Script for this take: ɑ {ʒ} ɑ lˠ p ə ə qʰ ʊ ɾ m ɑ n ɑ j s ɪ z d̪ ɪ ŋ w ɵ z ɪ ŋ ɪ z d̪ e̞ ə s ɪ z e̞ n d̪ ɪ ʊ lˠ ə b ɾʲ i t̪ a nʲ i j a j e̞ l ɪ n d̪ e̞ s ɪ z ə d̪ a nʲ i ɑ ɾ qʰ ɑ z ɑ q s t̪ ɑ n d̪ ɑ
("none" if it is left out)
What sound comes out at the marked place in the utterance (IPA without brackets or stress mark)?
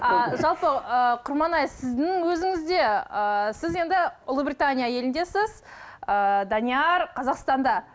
ʒ